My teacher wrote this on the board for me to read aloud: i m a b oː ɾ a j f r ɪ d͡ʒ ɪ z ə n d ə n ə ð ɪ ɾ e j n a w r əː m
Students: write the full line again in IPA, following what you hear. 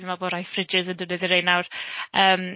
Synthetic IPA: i m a b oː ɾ a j f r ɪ d͡ʒ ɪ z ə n d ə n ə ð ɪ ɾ e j n a w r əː m